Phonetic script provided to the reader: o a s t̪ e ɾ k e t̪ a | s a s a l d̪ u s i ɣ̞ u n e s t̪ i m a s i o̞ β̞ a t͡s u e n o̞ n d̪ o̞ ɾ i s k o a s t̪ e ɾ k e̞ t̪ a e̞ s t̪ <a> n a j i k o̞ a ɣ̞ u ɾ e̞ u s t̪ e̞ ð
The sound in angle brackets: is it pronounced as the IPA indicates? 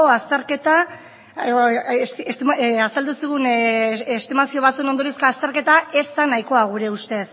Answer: yes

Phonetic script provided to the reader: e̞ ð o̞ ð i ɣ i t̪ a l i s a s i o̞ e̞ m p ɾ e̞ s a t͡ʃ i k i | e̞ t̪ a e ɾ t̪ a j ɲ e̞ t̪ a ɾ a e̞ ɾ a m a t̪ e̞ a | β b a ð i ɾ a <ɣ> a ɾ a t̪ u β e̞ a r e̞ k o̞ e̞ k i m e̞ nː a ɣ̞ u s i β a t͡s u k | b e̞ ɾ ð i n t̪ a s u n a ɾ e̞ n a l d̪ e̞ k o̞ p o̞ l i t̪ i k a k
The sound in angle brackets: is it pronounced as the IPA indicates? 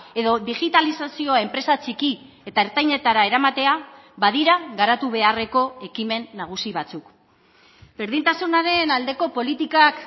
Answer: yes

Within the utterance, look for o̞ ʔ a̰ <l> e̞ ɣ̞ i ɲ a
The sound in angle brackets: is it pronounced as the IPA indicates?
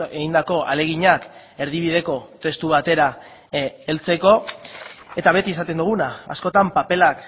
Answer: yes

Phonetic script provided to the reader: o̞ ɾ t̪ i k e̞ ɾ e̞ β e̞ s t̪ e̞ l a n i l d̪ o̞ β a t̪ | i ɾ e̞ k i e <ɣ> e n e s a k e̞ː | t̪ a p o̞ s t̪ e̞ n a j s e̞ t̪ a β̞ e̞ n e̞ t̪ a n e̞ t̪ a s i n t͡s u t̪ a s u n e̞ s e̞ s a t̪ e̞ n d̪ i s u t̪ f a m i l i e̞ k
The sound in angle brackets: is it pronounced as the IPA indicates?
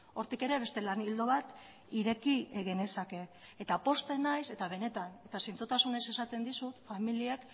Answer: yes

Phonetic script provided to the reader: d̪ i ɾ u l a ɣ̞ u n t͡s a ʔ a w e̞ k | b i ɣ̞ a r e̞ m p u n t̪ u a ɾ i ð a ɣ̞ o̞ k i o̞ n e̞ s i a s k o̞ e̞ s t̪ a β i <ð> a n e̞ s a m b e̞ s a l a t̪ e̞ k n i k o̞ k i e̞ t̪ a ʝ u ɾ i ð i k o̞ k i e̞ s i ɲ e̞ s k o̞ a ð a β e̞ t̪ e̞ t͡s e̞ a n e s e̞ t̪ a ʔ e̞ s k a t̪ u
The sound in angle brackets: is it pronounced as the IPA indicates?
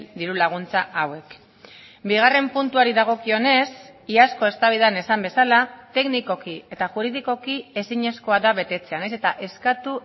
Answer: yes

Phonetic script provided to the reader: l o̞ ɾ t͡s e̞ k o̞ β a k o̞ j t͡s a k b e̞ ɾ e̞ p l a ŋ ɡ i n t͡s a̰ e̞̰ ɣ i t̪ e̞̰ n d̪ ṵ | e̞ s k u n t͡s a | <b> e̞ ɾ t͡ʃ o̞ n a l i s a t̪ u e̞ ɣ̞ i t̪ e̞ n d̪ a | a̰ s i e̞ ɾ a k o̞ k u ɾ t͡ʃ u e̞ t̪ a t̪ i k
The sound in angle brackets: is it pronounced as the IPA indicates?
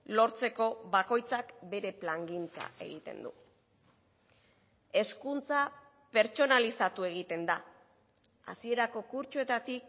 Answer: no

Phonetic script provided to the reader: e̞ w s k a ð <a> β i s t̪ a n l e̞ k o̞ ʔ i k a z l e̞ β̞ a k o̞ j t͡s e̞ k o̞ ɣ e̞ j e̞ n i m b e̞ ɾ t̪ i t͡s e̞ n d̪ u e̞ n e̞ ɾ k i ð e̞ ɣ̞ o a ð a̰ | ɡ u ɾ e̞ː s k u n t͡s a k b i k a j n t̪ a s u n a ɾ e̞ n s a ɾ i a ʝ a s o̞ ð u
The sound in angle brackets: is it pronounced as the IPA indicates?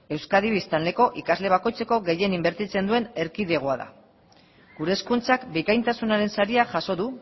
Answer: no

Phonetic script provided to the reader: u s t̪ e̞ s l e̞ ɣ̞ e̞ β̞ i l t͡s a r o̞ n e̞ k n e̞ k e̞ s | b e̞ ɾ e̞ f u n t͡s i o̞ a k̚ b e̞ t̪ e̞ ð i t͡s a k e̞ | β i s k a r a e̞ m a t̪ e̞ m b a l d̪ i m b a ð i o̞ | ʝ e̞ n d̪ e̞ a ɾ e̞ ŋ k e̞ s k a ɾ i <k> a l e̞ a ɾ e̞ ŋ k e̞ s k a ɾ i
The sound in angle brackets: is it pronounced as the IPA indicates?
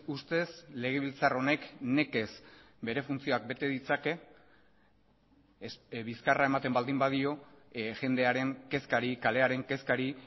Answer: yes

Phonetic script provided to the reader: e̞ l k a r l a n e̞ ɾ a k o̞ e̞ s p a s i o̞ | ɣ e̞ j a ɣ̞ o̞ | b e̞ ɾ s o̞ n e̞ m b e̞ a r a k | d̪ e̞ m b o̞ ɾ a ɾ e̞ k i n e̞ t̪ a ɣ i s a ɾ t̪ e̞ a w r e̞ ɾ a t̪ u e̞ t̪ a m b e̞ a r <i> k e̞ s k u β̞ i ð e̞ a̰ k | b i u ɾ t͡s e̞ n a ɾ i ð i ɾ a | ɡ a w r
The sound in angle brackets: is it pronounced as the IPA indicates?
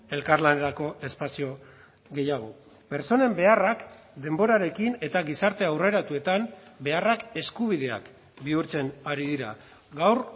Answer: no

